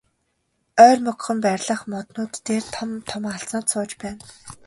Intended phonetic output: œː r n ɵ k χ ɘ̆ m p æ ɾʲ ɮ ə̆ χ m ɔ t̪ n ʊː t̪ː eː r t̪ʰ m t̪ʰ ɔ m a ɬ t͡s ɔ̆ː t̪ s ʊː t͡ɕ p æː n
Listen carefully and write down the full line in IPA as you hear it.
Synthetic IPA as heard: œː r m ɵ k χ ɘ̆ m p æ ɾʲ ɮ ə̆ χ m ɔ t̪ n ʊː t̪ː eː r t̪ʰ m t̪ʰ ɔ m a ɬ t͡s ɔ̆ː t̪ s ʊː t͡ɕ p æː n